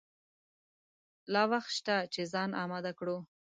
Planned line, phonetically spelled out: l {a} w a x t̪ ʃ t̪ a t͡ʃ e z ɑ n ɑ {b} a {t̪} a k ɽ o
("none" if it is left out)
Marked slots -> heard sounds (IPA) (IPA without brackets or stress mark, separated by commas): ɑ, m, d̪